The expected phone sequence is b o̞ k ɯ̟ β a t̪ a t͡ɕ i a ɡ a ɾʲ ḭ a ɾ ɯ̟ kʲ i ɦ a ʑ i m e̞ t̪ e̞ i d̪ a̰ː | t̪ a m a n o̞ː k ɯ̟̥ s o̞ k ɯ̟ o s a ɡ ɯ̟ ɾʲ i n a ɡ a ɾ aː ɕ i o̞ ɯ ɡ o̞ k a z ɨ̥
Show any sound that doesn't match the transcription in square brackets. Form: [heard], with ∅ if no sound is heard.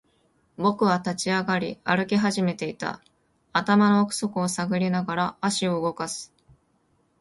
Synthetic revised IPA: b o̞ k ɯ̟ β a t̪ a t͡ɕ i a ɡ a ɾʲ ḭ a ɾ ɯ̟ kʲ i ɦ a ʑ i m e̞ t̪ e̞ i [t̪] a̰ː | t̪ a m a n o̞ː k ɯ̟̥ s o̞ k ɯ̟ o s a ɡ ɯ̟ ɾʲ i n a ɡ a ɾ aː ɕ i o̞ ɯ ɡ o̞ k a [s] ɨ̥

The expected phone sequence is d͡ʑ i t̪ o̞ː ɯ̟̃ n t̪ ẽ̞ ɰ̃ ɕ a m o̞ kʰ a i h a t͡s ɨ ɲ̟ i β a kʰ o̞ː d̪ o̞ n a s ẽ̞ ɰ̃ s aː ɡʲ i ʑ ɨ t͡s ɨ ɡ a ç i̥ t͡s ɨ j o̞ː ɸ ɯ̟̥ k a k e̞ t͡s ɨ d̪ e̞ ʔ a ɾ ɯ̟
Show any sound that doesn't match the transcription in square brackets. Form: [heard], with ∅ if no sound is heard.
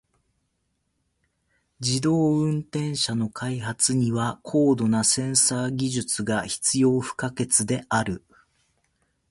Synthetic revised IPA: d͡ʑ i [d̪] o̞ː ɯ̟̃ n t̪ ẽ̞ ɰ̃ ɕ a [n] o̞ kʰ a i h a t͡s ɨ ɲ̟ i β a kʰ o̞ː d̪ o̞ n a s ẽ̞ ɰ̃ s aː ɡʲ i ʑ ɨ t͡s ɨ ɡ a ç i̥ t͡s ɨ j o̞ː ɸ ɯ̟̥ k a k e̞ t͡s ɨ d̪ e̞ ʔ a ɾ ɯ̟

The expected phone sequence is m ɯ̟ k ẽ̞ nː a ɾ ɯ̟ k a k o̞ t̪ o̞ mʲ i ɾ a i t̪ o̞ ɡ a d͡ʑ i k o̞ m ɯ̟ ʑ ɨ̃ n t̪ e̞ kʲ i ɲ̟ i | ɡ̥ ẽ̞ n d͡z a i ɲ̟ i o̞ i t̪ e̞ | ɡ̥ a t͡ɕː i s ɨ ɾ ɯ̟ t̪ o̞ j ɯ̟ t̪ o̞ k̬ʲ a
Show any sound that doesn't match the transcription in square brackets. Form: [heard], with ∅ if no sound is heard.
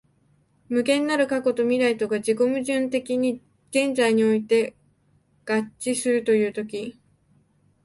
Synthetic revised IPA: m ɯ̟ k ẽ̞ nː a ɾ ɯ̟ k a k o̞ t̪ o̞ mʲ i ɾ a i t̪ o̞ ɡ a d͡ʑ i k o̞ m ɯ̟ ʑ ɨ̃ n t̪ e̞ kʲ i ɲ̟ i | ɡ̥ ẽ̞ n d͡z a i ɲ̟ i o̞ i t̪ e̞ | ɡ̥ a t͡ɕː i s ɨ ɾ ɯ̟ t̪ o̞ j [ɯ̟ː] t̪ o̞ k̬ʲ [i]

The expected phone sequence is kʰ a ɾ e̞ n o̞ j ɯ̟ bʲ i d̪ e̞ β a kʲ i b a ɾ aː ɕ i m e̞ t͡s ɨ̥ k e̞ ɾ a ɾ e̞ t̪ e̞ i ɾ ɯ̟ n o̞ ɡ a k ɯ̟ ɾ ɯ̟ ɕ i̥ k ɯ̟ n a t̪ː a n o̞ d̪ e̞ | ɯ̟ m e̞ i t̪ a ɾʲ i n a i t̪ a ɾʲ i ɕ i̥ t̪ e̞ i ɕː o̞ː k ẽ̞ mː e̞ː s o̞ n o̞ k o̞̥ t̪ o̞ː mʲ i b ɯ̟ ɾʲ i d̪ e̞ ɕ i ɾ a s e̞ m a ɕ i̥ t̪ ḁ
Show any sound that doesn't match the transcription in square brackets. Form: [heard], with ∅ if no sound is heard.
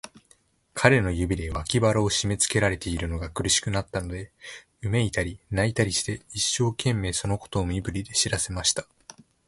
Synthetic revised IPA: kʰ a ɾ e̞ n o̞ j ɯ̟ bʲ i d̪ e̞ β a kʲ i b a ɾ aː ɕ i m e̞ t͡s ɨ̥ k e̞ ɾ a ɾ e̞ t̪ e̞ i ɾ ɯ̟ n o̞ ɡ a k ɯ̟ ɾ ɯ̟ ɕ i̥ k ɯ̟ n a t̪ː a n o̞ d̪ e̞ | ɯ̟ m e̞ i t̪ a ɾʲ i n a i t̪ a ɾʲ i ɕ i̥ t̪ e̞ i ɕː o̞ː k ẽ̞ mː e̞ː s o̞ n o̞ k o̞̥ t̪ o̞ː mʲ i b ɯ̟ ɾʲ i d̪ e̞ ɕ i ɾ a s e̞ m a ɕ i̥ t̪ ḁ

